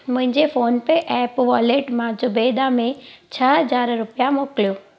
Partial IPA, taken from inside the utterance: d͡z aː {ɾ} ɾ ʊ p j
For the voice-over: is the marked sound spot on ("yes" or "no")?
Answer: yes